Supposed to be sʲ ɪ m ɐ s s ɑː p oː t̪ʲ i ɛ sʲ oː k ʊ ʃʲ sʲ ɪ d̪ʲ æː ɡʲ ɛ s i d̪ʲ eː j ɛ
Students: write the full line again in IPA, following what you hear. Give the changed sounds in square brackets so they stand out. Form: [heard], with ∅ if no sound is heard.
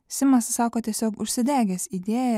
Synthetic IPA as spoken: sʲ ɪ m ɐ s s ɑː [k] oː t̪ʲ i ɛ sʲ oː k ʊ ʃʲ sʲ ɪ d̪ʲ æː ɡʲ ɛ s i d̪ʲ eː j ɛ